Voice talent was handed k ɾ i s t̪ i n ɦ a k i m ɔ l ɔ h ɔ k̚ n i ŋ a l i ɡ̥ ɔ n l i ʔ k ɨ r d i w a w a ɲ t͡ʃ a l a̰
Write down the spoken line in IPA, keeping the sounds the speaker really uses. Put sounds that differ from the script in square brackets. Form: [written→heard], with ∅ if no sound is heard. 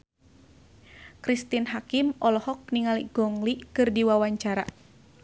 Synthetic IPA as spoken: k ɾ i s t̪ i n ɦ a k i m ɔ l ɔ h ɔ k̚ n i ŋ a l i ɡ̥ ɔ [n→ŋ] l i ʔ k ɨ r d i w a w a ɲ t͡ʃ a [l→ɾ] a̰